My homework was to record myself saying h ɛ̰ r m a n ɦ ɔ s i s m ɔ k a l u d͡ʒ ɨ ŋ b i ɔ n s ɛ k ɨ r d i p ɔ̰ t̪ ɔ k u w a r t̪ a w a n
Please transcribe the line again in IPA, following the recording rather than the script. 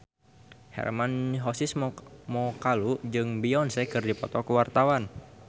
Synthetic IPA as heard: h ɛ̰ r m a n ɦ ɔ s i s m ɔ k a l u d͡ʒ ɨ ŋ b i ɔ n s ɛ k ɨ r d i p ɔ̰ t̪ ɔ k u w a r t̪ a w a n